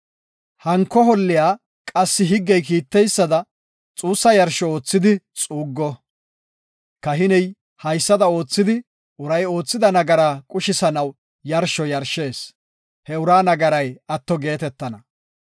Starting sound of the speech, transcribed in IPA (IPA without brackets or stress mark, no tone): h